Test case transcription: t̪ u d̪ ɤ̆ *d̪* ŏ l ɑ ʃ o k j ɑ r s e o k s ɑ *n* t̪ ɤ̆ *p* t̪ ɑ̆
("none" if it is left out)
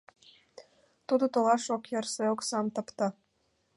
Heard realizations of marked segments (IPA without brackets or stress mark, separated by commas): t̪, m, p